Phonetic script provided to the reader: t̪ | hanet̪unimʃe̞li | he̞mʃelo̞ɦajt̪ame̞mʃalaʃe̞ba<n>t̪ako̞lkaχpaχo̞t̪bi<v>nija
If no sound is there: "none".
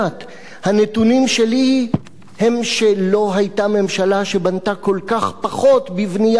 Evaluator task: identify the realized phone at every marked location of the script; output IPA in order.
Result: n, v

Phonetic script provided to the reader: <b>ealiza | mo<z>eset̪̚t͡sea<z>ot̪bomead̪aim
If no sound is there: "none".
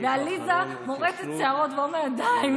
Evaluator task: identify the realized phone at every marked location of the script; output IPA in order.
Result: v, ʁ, ʁ

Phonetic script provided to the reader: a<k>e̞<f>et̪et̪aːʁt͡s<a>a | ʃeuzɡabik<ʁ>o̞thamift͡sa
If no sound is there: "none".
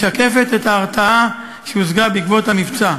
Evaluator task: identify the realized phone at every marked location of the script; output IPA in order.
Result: k, f, a, v

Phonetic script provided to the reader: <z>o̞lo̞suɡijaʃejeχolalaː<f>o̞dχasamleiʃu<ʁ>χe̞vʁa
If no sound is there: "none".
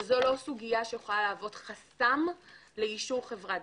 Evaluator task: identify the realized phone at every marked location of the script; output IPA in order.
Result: z, v, ʁ

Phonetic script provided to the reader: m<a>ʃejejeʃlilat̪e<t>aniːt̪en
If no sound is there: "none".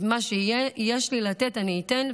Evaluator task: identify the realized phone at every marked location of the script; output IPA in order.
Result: a, t

